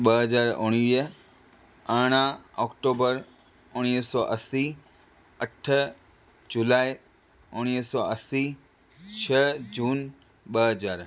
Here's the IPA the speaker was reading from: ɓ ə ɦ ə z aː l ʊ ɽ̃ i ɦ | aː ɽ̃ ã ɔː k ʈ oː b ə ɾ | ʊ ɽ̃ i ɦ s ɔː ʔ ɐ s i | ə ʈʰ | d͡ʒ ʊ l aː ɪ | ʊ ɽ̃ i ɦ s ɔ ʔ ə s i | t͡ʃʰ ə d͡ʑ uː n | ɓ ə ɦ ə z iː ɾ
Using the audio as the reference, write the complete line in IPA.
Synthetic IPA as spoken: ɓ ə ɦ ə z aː ɾ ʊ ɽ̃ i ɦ | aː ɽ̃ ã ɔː k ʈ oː b ə ɾ | ʊ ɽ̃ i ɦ s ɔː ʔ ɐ s i | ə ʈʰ | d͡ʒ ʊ l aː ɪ | ʊ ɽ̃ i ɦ s ɔ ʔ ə s i | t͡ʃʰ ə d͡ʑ uː n | ɓ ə ɦ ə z aː ɾ